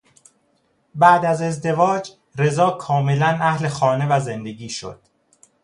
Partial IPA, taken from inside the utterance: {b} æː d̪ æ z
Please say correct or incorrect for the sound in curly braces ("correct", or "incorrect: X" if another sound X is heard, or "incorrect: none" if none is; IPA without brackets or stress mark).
correct